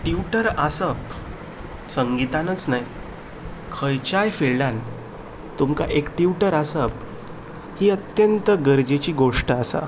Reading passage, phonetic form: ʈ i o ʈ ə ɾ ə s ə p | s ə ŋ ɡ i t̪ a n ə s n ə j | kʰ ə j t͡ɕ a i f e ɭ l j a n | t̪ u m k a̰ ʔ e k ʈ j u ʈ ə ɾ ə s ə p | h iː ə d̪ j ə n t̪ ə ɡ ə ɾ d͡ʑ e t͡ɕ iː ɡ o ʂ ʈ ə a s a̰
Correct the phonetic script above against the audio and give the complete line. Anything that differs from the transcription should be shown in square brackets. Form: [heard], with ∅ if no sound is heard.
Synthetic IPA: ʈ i [u] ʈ ə ɾ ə s ə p | s ə ŋ ɡ i t̪ a n ə [t͡s] n [a] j | kʰ ə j t͡ɕ a [j] f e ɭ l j a n | t̪ u m k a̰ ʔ e k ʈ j u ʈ ə ɾ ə s ə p | h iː ə [t̪] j ə n t̪ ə ɡ ə ɾ d͡ʑ e t͡ɕ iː ɡ o ʂ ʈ ə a s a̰